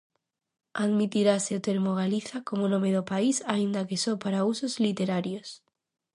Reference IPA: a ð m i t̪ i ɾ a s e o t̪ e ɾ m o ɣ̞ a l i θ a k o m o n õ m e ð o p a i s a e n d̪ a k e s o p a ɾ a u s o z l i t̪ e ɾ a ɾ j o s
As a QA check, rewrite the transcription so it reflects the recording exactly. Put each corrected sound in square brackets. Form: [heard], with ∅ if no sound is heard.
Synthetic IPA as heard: a ð m i t̪ i ɾ a s e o t̪ e ɾ m o ɣ̞ a l i θ a k o m o n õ m e ð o p a i s a [i] n d̪ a k e s o p a ɾ a u s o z l i t̪ e ɾ a ɾ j o s